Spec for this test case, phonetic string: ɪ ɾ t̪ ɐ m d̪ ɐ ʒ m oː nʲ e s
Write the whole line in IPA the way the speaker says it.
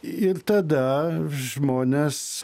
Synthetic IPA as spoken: ɪ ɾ t̪ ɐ d̪ ɐ ʒ m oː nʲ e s